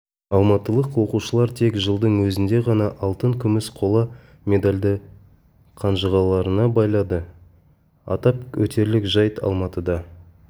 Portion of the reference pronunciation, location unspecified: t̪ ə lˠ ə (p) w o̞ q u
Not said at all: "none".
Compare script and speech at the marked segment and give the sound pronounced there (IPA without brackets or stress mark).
q